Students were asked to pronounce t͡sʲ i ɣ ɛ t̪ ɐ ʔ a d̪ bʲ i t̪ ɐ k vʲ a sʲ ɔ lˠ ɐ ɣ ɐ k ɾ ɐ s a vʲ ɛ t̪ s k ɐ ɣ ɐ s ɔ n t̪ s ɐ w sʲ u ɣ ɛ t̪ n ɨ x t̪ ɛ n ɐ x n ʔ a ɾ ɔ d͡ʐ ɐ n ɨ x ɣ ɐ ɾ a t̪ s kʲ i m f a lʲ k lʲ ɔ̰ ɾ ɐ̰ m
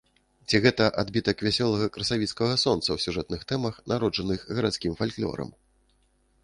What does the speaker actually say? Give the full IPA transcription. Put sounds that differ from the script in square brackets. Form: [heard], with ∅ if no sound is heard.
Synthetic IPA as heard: t͡sʲ i ɣ ɛ t̪ ɐ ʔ a d̪ bʲ i t̪ ɐ k vʲ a sʲ ɔ lˠ ɐ ɣ ɐ k ɾ ɐ s a vʲ [i] t̪ s k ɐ ɣ ɐ s ɔ n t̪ s ɐ w sʲ u [ʐ] ɛ t̪ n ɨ x t̪ ɛ [m] ɐ x n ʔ a ɾ ɔ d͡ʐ ɐ n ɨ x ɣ ɐ ɾ a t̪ s kʲ i m f a lʲ k lʲ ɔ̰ ɾ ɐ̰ m